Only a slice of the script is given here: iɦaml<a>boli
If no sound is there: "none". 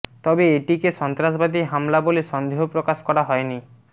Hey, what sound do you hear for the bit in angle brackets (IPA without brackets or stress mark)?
a